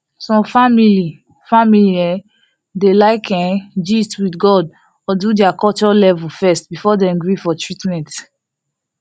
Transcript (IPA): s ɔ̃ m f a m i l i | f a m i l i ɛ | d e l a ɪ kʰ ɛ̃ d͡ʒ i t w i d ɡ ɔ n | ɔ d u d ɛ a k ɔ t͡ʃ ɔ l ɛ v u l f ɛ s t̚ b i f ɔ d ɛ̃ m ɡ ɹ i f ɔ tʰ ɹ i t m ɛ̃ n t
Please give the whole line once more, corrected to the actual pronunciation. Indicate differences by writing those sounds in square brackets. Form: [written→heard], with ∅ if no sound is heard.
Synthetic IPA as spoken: s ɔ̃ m f a m i l i | f a m i l i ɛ | d e l a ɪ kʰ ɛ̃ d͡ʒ i t w i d ɡ ɔ [n→d] | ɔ d u d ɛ a k ɔ t͡ʃ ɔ l ɛ v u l f ɛ s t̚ b i f ɔ d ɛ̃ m ɡ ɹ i f ɔ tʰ ɹ i t m ɛ̃ n t